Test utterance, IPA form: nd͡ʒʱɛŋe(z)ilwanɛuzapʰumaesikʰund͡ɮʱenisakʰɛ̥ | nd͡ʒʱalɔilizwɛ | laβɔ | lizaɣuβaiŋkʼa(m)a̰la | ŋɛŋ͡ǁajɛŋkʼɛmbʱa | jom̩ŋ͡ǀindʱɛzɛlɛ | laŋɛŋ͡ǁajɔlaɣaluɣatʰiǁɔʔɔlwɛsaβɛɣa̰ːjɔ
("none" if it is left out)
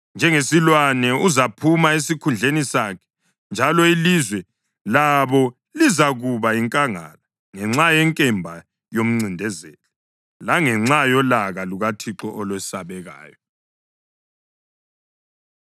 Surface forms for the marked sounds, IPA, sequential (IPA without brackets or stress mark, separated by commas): s, ŋ